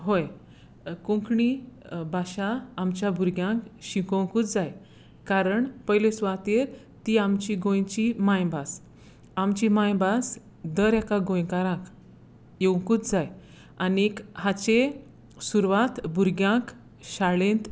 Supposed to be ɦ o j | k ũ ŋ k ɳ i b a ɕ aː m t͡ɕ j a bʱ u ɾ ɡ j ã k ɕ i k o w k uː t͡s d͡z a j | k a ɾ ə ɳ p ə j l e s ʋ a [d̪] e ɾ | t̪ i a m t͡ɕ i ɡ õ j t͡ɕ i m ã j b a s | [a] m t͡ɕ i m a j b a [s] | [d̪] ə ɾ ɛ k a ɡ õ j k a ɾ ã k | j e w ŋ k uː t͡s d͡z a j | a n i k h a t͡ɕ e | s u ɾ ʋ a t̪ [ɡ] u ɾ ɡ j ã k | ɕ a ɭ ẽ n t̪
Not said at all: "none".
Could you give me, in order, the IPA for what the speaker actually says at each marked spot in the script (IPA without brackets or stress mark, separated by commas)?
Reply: t̪, a, s, d̪, b